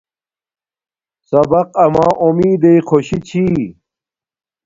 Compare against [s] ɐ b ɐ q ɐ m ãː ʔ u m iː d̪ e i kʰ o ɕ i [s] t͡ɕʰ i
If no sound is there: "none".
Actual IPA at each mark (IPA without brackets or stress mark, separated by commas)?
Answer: s, none